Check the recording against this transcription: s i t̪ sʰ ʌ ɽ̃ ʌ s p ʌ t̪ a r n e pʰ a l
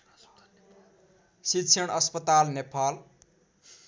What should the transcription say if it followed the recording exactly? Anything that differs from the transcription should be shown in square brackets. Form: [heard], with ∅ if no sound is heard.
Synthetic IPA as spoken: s i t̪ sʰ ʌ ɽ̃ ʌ s p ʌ t̪ a [l] n e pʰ a l